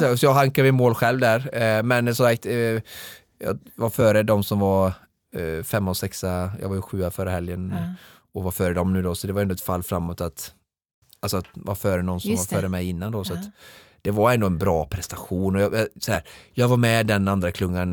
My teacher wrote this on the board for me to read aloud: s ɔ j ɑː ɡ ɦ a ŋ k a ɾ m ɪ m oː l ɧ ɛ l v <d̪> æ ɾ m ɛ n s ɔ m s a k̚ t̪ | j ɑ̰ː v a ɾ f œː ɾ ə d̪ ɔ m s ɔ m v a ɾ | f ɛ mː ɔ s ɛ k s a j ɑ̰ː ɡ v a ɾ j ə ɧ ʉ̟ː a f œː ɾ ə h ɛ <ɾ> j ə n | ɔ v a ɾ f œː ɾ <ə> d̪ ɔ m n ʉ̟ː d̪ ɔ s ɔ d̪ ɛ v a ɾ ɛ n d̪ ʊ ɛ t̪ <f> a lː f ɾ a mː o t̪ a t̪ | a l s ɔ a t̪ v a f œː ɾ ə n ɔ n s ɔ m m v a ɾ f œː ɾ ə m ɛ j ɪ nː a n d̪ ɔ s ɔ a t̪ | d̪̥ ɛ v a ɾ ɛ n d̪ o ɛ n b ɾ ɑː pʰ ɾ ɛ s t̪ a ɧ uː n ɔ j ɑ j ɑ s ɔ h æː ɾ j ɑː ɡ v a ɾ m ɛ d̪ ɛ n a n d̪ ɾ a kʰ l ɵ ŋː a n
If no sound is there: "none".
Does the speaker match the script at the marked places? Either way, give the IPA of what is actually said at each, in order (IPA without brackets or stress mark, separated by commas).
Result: d̪, l, ə, f